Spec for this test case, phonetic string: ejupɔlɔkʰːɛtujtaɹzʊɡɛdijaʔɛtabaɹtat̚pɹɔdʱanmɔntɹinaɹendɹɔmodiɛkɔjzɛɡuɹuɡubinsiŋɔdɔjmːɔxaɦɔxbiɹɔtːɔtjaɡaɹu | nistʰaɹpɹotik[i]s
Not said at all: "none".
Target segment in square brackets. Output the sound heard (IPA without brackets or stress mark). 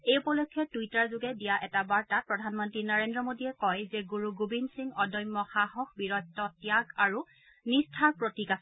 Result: a